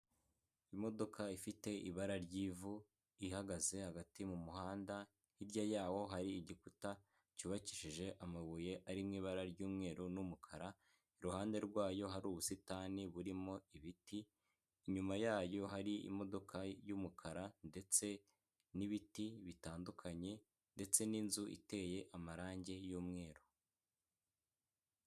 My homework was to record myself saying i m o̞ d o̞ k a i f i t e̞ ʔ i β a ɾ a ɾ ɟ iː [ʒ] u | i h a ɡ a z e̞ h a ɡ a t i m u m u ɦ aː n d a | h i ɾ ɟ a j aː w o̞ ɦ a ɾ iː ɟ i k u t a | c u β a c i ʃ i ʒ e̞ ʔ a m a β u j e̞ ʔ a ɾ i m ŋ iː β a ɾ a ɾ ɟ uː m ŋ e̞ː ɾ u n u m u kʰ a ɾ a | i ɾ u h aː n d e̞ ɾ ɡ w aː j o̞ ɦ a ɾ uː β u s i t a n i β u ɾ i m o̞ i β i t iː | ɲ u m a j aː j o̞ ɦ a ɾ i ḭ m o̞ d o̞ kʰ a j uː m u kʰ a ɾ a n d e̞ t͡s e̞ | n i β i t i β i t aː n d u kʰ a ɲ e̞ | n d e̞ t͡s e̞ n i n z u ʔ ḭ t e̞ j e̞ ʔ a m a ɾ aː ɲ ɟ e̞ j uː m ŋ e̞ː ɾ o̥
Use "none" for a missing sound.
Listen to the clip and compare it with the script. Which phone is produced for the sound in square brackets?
v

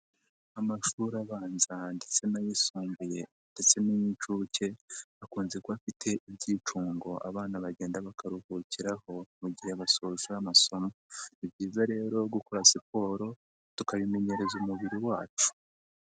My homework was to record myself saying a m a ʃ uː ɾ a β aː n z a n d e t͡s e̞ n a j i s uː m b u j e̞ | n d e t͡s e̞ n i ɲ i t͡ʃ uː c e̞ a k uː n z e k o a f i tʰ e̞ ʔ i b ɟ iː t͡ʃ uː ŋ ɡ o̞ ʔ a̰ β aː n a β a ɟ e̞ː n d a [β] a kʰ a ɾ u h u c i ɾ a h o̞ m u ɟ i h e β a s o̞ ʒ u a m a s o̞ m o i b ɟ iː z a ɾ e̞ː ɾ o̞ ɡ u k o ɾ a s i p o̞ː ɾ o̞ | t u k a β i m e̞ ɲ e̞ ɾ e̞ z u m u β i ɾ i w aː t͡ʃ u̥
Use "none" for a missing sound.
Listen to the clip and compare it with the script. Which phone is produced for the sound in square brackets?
β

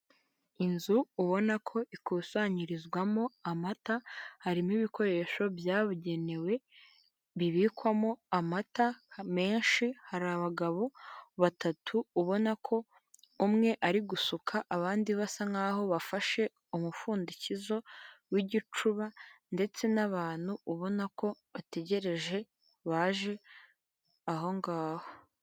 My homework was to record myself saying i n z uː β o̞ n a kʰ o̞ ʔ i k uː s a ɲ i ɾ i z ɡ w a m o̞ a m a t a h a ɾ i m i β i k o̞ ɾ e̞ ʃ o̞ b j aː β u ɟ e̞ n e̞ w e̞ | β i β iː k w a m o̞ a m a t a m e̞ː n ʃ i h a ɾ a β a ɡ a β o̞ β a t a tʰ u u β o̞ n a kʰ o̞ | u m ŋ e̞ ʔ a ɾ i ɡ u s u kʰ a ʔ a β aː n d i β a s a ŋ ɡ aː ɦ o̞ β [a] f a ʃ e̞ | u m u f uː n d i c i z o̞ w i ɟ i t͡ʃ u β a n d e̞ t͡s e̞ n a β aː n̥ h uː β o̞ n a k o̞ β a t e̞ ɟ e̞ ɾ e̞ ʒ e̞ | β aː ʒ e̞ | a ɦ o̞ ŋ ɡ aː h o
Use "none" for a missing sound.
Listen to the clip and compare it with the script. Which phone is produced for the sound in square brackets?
a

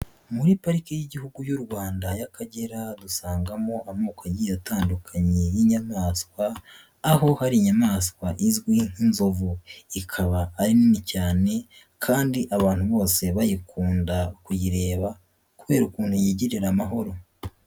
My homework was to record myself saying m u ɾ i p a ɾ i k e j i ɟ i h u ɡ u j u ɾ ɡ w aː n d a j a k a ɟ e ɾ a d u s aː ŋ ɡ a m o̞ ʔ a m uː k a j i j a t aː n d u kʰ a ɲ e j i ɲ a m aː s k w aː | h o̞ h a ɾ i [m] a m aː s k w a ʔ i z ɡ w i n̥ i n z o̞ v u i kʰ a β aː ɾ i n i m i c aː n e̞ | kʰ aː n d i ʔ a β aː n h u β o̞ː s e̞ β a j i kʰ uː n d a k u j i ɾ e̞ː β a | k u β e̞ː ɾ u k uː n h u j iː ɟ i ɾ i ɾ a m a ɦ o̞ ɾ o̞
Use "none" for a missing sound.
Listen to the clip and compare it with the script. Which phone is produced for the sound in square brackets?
ɲ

